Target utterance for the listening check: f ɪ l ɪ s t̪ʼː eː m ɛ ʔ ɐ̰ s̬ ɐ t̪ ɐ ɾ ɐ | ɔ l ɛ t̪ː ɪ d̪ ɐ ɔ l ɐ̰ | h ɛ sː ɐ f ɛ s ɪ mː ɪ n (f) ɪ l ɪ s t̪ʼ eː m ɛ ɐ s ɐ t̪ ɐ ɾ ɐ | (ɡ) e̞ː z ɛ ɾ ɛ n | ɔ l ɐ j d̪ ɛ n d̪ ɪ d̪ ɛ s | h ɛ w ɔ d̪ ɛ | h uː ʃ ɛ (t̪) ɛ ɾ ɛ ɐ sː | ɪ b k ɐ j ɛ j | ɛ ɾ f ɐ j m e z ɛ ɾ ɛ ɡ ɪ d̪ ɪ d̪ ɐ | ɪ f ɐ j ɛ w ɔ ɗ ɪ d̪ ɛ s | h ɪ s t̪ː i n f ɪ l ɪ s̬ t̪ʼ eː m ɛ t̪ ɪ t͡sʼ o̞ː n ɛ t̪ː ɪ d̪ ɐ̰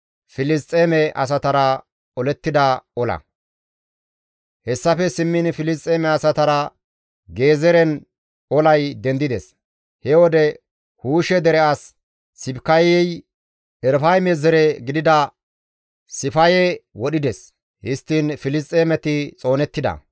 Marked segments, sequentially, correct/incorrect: correct, correct, incorrect: d̪

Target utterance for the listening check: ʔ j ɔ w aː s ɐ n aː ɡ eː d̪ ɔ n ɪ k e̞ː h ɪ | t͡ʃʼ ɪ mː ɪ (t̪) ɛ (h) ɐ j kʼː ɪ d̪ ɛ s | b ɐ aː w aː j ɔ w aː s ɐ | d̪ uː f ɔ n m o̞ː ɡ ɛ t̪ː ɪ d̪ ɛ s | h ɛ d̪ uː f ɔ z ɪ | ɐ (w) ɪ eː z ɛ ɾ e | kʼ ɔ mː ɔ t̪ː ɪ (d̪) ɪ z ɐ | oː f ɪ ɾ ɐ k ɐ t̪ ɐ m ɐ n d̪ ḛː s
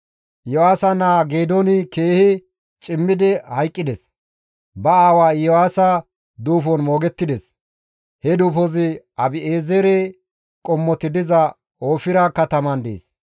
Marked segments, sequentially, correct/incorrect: incorrect: d̪, correct, incorrect: b, correct

